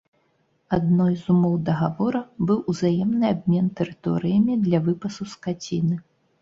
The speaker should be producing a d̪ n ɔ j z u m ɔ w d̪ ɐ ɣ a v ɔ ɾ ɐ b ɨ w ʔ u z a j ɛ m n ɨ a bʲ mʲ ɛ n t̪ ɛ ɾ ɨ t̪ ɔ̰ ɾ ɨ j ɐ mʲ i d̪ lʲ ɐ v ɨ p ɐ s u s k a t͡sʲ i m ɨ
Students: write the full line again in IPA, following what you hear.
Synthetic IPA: a d̪ n ɔ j z u m ɔ w d̪ ɐ ɣ a v ɔ ɾ ɐ b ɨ w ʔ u z a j ɛ m n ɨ a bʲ mʲ ɛ n t̪ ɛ ɾ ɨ t̪ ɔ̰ ɾ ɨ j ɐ mʲ i d̪ lʲ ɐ v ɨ p ɐ s u s k a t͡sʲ i n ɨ